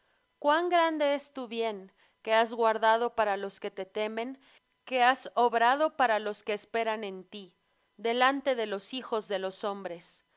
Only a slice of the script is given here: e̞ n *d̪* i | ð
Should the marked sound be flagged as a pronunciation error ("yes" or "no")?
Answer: yes